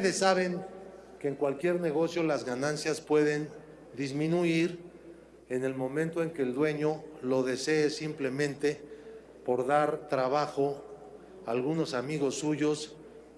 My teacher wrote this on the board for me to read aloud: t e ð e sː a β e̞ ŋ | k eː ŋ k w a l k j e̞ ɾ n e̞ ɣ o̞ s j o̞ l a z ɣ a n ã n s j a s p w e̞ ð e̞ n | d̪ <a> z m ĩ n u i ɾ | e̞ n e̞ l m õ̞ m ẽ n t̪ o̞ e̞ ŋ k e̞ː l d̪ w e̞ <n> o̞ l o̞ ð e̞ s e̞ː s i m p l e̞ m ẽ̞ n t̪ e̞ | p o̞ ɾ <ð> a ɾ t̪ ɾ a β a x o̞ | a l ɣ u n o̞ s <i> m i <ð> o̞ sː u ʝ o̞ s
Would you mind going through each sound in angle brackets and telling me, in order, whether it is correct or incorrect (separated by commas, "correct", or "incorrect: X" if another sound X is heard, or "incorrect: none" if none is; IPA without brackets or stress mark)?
incorrect: i, incorrect: ɲ, correct, incorrect: a, incorrect: ɣ